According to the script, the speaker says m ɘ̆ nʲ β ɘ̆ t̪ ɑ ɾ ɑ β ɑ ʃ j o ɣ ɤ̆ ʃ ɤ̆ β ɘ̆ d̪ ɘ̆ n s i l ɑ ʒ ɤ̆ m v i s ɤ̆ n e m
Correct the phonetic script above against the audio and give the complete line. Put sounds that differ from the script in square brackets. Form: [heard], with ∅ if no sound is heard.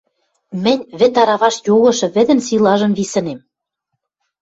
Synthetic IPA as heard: m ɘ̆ nʲ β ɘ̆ t̪ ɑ ɾ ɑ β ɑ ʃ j o ɣ ɤ̆ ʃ ɤ̆ β ɘ̆ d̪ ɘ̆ n s i l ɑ ʒ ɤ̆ m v i s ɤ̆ n e m